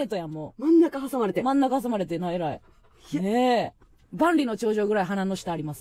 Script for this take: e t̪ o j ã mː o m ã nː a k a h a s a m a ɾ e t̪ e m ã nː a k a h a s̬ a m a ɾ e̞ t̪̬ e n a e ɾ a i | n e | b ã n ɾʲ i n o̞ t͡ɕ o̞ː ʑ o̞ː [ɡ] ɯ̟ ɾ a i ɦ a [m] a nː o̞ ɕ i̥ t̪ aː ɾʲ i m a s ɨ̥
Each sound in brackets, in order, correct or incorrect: correct, incorrect: n

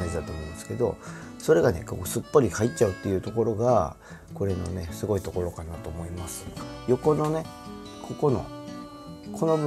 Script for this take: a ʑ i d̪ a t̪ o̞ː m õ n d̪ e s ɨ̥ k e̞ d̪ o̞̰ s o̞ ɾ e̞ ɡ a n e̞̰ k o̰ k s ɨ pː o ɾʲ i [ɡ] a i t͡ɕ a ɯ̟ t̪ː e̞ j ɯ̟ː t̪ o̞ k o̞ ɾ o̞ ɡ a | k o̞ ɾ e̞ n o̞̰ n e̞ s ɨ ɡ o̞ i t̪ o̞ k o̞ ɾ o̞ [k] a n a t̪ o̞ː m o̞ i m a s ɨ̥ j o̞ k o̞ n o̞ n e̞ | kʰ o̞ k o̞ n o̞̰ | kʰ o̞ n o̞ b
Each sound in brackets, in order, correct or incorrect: incorrect: k, correct

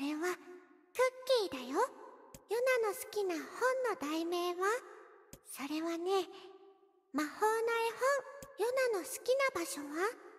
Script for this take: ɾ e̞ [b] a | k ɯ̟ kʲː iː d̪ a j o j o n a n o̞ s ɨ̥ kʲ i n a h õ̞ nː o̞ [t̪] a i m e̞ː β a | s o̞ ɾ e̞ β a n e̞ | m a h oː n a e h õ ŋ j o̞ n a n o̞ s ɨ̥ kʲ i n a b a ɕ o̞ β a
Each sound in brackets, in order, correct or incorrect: incorrect: β, incorrect: d̪

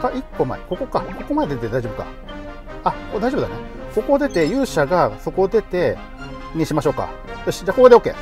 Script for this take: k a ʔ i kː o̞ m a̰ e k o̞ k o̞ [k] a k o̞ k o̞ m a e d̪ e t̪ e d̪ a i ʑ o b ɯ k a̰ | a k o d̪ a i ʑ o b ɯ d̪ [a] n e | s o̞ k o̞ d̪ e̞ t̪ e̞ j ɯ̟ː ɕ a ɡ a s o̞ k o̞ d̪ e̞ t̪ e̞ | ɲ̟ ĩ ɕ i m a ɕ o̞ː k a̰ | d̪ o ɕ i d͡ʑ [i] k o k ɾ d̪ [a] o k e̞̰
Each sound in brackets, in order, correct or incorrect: correct, correct, incorrect: a, incorrect: e

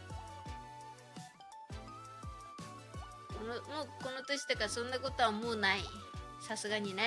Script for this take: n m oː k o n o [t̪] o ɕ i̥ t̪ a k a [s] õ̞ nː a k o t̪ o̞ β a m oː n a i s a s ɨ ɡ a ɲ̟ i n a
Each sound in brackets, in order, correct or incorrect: correct, correct

